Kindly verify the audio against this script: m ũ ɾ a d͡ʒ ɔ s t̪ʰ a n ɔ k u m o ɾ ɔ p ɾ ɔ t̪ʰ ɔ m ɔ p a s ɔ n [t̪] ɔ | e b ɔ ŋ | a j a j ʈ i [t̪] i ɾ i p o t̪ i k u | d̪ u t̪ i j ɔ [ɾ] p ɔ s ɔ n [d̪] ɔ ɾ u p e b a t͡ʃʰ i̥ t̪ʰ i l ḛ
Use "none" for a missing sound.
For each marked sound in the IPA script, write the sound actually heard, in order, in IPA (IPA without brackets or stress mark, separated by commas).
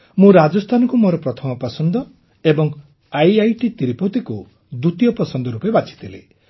d̪, t̪, none, d̪